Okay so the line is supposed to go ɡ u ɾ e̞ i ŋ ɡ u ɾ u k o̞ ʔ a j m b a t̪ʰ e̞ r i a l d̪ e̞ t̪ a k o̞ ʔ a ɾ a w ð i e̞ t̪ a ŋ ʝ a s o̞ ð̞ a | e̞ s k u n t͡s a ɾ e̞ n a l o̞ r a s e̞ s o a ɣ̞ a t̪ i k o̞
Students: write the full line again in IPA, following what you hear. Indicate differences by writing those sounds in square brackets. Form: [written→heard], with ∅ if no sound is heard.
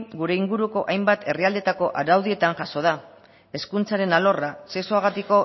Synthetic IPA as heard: ɡ u ɾ e̞ i ŋ ɡ u ɾ u k o̞ ʔ a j m b a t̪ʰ e̞ r i a l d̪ e̞ t̪ a k o̞ ʔ a ɾ a w ð i e̞ t̪ a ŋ ʝ a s o̞ ð̞ a | e̞ s k u n t͡s a ɾ e̞ n a l o̞ r a s e̞ s o a ɣ̞ a t̪ i k o̞